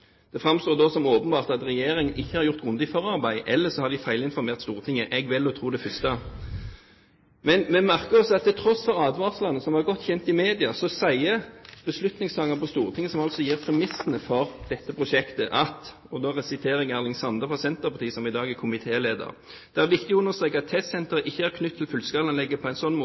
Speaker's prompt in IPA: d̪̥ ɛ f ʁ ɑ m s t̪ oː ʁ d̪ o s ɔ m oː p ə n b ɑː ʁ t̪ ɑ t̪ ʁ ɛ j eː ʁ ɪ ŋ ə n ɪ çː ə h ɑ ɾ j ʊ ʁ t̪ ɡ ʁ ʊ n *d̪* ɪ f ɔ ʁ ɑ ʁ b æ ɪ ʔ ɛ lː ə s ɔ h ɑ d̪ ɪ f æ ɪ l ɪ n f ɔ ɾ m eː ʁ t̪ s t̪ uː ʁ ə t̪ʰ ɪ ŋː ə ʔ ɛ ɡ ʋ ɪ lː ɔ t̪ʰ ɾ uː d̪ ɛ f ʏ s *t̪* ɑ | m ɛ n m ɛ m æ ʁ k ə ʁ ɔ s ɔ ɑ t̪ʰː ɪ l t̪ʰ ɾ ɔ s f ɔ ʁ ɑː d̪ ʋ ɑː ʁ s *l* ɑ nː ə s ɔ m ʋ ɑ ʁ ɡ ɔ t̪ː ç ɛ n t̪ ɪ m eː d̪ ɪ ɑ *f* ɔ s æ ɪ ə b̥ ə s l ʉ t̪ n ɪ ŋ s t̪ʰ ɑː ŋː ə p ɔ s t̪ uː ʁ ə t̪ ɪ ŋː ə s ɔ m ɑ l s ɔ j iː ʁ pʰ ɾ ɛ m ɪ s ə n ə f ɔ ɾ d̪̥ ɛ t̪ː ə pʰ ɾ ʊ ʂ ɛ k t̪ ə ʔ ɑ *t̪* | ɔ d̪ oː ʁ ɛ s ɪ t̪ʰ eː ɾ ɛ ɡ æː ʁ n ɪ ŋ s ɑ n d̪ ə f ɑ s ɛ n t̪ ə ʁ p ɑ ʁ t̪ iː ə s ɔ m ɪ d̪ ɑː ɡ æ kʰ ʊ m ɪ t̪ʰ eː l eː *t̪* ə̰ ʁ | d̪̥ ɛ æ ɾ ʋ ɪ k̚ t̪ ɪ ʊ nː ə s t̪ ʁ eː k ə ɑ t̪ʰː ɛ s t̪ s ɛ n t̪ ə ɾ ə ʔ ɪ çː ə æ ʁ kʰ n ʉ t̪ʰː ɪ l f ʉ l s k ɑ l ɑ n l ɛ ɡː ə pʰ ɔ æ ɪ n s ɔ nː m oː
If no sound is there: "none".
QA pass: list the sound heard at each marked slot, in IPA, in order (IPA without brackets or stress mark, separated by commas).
d̪, t̪, l, s, t̪, d̪